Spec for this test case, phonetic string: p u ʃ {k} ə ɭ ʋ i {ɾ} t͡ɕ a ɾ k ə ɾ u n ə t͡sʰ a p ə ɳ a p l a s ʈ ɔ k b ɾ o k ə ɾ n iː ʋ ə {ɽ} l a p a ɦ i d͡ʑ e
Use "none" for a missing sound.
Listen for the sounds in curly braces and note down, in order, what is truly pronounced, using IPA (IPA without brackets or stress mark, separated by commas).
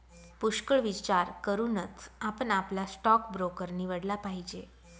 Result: k, none, ɽ